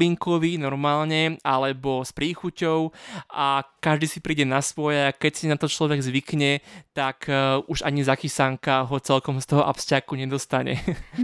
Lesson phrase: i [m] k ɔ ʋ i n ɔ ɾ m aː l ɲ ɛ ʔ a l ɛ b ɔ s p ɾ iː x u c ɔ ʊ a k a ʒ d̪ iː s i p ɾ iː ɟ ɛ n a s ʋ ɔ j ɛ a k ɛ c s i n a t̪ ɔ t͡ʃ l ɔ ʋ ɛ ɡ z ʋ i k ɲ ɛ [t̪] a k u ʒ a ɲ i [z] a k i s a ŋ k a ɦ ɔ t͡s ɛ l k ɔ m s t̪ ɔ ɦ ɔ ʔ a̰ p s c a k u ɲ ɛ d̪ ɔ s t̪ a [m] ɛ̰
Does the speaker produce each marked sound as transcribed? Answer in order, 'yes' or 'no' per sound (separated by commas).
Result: no, yes, yes, no